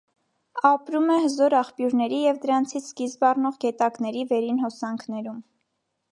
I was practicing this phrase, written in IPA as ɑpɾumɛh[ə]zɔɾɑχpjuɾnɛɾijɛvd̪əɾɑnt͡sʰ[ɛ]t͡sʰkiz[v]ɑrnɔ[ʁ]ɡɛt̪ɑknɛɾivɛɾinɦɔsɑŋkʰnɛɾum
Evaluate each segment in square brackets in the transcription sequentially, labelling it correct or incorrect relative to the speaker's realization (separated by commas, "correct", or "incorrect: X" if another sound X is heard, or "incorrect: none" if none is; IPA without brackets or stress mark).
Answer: correct, incorrect: i, incorrect: b, correct